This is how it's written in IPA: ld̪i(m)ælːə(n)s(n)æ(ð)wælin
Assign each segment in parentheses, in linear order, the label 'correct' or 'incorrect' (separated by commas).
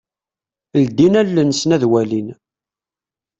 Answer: incorrect, correct, correct, correct